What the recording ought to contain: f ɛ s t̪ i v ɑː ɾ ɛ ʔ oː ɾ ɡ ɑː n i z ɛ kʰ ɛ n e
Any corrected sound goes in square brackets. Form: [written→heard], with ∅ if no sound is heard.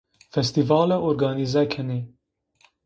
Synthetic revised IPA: f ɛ s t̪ i v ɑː [ɾ→l] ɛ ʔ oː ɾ ɡ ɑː n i z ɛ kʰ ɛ n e